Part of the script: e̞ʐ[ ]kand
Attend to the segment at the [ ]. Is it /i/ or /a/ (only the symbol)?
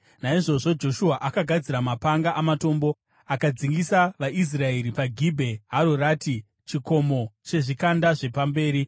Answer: i